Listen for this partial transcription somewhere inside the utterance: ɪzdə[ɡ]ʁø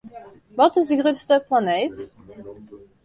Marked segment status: correct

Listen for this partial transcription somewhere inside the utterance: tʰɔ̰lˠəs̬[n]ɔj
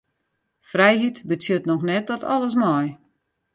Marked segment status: incorrect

